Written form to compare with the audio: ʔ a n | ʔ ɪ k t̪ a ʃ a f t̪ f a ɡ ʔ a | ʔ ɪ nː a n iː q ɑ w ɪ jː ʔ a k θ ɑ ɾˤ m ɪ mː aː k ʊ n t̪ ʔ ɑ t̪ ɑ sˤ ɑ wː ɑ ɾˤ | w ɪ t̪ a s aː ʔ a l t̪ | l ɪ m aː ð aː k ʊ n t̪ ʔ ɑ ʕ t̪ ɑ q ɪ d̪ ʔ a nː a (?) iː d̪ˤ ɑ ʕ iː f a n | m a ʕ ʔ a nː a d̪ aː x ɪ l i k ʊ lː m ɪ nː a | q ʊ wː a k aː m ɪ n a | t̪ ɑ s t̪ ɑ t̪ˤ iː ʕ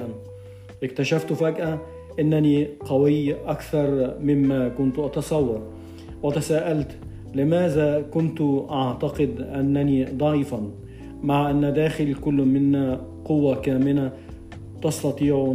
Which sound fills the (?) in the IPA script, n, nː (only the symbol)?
n